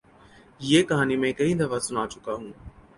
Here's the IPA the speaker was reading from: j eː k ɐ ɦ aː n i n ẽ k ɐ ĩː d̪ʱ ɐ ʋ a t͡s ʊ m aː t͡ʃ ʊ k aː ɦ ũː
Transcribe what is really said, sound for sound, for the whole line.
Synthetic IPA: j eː k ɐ ɦ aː n i m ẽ k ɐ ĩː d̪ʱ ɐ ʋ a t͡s ʊ n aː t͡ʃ ʊ k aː ɦ ũː